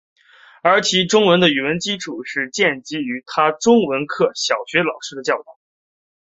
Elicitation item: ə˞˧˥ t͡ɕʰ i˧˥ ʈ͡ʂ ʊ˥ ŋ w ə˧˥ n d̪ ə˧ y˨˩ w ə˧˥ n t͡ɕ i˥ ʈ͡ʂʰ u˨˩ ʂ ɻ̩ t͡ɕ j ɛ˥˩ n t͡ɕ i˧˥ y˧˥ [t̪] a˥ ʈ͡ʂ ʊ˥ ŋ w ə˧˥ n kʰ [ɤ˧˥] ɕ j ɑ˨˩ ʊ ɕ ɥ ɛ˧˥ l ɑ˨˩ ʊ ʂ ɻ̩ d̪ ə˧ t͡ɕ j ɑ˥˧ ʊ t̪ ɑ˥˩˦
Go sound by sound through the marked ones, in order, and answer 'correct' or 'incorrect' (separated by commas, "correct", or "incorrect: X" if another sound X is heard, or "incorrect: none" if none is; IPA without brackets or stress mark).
incorrect: t̪ʰ, incorrect: ɤ˥˩